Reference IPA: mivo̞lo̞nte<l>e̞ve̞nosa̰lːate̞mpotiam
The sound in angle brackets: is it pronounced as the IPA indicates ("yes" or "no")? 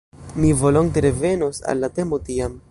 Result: no